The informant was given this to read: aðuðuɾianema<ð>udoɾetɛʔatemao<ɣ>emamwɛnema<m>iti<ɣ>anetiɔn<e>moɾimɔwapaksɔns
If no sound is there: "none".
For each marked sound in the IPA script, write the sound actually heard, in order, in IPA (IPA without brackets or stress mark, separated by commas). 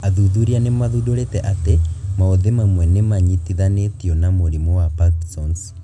ð, ð, ɲ, ð, a